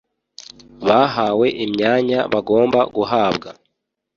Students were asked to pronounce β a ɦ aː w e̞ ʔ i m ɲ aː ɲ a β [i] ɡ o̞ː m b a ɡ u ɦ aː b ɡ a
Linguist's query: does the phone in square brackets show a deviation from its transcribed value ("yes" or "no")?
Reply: yes